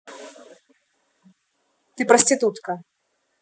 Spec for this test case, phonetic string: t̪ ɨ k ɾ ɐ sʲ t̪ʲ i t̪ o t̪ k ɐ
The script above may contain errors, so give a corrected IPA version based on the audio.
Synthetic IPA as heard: t̪ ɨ p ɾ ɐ sʲ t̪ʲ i t̪ u t̪ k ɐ

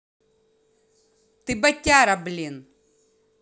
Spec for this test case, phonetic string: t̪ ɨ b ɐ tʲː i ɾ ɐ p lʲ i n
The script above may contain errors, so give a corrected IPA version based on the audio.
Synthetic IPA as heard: t̪ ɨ b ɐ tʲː a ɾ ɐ b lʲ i n

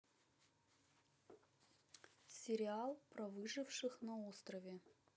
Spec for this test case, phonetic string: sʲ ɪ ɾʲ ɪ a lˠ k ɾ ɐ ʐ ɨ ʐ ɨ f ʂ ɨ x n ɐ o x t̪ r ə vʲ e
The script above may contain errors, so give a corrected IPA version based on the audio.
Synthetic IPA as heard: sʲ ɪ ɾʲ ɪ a lˠ p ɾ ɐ v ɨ ʐ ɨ f ʂ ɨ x n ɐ o s t̪ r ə vʲ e

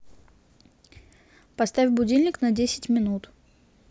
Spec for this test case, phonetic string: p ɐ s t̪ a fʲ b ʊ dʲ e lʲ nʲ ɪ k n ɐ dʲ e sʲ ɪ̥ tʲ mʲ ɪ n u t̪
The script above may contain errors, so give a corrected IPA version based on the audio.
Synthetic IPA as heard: p ɐ s t̪ a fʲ b ʊ dʲ i lʲ nʲ ɪ k n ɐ dʲ e sʲ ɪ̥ tʲ mʲ ɪ n u t̪

